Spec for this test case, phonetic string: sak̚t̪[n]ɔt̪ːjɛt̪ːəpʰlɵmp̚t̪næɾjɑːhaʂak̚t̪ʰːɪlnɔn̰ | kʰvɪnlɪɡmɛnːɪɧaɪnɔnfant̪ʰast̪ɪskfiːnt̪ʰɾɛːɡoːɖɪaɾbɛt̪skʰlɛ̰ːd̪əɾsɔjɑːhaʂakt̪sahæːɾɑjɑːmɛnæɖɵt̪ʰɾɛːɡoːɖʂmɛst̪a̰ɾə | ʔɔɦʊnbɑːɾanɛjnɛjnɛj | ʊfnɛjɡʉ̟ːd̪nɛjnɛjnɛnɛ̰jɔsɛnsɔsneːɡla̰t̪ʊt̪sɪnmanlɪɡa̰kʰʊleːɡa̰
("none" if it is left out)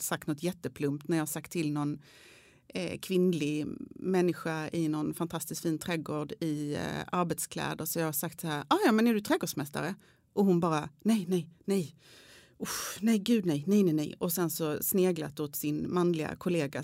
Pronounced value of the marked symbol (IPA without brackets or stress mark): n